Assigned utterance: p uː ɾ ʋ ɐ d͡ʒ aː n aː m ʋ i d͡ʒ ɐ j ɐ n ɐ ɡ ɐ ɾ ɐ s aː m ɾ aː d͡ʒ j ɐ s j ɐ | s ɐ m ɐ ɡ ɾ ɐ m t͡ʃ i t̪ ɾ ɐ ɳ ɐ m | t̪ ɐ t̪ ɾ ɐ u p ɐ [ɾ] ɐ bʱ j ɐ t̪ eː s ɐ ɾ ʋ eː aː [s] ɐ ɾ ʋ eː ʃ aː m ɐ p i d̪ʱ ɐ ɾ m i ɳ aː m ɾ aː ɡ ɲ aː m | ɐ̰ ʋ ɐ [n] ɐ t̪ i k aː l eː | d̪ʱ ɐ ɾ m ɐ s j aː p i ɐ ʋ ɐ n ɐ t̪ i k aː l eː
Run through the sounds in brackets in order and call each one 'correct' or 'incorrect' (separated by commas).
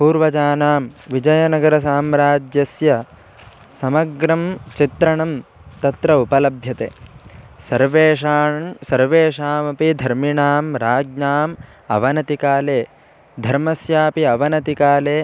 incorrect, correct, correct